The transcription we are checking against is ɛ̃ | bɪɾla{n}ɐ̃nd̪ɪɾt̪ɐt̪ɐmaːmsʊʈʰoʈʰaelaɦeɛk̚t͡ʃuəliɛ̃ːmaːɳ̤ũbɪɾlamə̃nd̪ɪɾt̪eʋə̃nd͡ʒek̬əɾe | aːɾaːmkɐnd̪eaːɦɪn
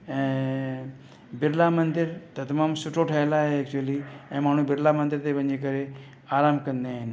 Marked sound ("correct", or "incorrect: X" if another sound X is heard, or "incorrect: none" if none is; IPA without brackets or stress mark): incorrect: m